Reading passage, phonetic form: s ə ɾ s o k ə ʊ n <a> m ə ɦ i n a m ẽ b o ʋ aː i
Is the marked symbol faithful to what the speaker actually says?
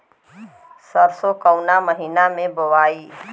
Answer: yes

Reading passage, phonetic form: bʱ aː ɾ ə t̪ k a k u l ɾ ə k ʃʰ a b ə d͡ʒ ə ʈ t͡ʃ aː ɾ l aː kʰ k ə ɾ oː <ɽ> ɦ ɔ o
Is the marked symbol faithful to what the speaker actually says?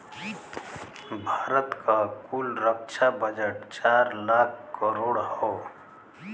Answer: yes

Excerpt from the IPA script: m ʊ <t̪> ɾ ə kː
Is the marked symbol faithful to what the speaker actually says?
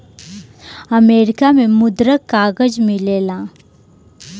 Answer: no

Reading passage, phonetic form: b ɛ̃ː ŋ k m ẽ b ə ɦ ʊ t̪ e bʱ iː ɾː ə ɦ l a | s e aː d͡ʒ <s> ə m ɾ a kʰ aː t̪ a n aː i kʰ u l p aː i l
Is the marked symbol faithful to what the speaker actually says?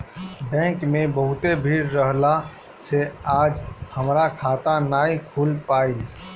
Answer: no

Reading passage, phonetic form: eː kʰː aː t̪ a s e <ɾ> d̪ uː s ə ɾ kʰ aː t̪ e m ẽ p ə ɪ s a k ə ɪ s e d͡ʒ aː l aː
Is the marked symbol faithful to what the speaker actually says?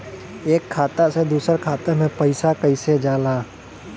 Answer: no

